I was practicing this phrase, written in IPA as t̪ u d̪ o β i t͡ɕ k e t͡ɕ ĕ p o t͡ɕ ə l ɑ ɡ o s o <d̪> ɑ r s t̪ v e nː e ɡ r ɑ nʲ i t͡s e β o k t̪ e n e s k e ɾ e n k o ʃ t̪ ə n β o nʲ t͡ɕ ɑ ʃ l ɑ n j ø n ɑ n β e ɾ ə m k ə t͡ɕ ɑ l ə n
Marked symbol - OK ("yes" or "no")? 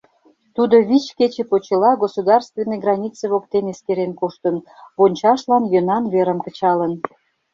yes